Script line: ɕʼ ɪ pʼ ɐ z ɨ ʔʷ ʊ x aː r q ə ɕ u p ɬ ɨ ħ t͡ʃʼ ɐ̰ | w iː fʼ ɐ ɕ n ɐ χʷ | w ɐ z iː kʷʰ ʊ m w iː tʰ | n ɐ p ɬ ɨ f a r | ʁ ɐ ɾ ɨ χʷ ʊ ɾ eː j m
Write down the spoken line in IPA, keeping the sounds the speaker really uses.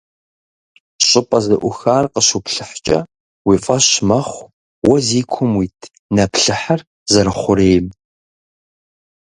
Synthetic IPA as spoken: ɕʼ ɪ pʼ ɐ z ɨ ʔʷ ʊ x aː r q ə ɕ u p ɬ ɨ ħ t͡ʃʼ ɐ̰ | w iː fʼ ɐ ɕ m ɐ χʷ | w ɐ z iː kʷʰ ʊ m w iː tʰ | n ɐ p ɬ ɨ ħ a r | z ɐ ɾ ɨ χʷ ʊ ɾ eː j m